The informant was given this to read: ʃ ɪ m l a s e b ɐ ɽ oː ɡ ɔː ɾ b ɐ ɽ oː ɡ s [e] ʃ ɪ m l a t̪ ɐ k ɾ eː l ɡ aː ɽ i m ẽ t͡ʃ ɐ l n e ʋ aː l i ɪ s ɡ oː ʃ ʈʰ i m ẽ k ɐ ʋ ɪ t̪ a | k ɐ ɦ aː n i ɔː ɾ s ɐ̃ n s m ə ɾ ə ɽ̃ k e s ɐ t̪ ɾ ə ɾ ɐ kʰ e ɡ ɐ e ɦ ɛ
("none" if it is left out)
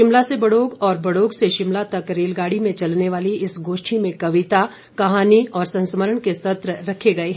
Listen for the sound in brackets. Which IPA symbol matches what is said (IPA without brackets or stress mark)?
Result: e